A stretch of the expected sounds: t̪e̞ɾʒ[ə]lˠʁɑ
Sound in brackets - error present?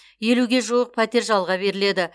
yes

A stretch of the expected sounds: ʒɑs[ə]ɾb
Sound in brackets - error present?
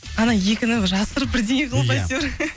no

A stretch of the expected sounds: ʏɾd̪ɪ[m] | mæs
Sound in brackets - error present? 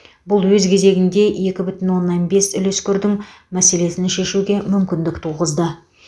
yes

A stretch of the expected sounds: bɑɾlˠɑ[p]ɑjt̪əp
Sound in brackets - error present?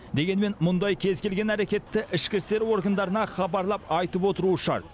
no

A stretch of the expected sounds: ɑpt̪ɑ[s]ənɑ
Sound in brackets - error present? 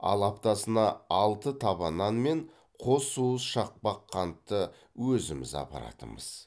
no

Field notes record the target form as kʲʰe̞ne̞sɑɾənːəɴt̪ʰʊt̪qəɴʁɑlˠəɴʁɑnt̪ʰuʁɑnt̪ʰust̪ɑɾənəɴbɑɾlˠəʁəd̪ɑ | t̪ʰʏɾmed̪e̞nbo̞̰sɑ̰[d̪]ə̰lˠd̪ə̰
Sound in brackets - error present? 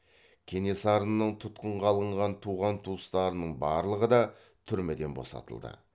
yes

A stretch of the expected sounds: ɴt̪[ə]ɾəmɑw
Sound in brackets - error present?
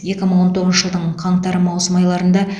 yes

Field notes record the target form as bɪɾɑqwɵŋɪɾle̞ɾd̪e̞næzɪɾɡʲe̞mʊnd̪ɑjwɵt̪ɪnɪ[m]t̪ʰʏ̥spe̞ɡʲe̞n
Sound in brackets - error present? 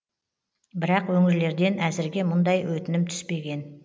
no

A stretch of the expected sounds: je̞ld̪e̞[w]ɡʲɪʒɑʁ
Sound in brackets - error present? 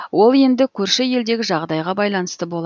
yes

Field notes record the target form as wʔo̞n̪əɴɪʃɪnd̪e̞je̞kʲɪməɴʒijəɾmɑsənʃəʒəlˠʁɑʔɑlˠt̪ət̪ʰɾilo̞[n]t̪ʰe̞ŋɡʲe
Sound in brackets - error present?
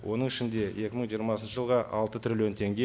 no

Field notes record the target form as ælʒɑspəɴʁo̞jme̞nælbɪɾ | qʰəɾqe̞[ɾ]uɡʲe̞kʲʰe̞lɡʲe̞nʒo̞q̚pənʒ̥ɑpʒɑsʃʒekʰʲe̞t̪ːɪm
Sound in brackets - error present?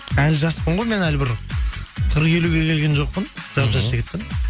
yes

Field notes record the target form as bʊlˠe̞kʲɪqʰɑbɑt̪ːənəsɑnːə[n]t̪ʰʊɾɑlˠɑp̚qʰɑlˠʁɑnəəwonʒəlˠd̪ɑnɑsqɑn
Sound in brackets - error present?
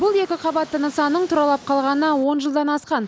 yes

